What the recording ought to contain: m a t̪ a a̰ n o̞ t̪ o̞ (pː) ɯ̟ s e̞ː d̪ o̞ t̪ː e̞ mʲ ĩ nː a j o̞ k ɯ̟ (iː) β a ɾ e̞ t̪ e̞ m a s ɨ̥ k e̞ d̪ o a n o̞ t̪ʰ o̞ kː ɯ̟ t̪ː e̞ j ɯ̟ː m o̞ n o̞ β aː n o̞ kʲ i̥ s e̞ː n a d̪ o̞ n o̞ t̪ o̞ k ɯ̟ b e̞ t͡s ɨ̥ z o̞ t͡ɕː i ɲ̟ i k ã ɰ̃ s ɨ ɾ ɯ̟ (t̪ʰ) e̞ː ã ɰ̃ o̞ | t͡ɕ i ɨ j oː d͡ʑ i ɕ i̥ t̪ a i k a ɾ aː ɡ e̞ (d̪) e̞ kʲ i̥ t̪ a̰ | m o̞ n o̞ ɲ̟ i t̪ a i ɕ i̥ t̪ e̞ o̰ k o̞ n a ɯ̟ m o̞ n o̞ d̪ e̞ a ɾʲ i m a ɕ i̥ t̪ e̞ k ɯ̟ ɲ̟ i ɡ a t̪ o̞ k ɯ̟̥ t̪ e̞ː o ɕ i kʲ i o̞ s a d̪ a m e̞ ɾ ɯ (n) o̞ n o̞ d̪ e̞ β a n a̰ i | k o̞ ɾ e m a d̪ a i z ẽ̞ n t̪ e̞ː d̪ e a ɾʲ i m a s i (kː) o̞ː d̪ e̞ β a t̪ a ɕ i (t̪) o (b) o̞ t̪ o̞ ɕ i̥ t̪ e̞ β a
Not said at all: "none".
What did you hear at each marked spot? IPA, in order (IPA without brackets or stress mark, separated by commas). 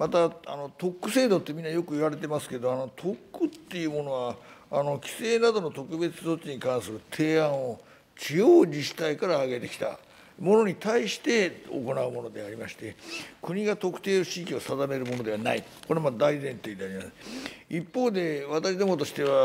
kː, i, t̪ʰ, t̪, m, pː, d̪, m